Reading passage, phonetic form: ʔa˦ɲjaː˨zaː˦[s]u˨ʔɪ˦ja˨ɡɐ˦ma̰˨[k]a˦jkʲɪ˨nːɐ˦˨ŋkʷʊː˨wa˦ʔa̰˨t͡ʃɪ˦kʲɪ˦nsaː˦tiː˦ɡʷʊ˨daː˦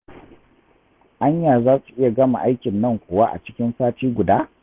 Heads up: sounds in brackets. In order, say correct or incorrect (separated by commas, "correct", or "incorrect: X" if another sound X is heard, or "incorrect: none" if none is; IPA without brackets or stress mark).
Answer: correct, incorrect: ʔ